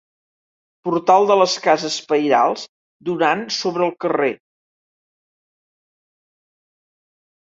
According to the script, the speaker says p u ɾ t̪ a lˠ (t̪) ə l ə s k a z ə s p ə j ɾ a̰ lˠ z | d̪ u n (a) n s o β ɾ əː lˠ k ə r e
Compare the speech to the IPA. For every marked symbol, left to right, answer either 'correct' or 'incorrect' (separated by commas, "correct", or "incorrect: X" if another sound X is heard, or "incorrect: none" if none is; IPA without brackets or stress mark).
incorrect: d̪, correct